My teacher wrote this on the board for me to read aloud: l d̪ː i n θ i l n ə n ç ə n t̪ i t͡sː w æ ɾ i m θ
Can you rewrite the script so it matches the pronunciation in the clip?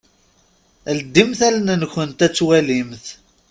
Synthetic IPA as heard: l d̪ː i m θ æ l n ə n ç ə n t̪ æ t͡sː w æ l i m θ